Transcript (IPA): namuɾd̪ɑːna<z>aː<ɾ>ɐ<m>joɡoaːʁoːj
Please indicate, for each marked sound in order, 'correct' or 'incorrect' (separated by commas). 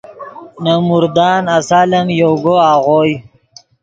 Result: incorrect, incorrect, correct